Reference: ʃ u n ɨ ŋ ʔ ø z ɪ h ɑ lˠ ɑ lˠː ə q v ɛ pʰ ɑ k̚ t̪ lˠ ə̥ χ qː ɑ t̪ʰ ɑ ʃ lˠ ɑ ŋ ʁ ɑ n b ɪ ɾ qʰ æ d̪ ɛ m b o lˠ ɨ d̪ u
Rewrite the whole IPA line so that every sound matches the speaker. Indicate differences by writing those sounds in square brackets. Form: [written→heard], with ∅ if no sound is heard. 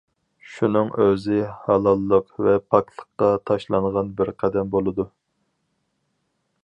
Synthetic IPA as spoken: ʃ u n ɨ ŋ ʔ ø z ɪ h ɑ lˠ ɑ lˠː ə q v ɛ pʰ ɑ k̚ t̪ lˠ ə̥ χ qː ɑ t̪ʰ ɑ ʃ lˠ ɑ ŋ ʁ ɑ n b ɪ ɾ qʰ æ d̪ ɛ m b o lˠ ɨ d̪ u